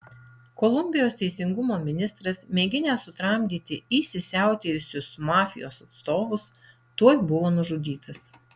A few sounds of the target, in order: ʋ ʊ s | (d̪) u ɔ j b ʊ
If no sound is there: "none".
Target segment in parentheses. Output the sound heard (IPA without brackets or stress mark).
t̪